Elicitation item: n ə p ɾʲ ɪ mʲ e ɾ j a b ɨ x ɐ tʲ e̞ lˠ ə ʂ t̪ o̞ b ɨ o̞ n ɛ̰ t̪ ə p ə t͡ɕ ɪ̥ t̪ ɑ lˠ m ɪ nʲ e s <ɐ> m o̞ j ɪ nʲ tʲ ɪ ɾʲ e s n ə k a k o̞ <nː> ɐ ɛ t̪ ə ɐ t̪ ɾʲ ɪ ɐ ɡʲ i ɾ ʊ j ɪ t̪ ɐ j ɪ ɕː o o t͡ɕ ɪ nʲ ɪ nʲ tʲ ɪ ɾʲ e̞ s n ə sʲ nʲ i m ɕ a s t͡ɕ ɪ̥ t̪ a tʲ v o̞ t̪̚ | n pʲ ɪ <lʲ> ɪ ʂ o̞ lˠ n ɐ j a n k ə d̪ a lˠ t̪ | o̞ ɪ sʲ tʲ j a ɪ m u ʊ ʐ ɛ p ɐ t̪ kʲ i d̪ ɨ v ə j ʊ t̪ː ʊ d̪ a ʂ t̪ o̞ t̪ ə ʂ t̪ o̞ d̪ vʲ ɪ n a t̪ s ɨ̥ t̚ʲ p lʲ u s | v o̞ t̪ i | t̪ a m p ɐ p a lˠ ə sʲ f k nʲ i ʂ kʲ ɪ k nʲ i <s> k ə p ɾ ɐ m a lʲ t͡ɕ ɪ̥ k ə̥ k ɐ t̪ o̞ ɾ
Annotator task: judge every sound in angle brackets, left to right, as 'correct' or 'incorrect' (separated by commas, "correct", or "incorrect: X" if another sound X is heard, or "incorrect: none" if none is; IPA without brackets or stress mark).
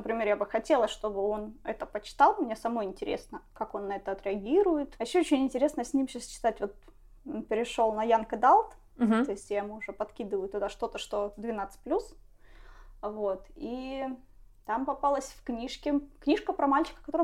correct, correct, incorrect: ɾʲ, incorrect: ʂ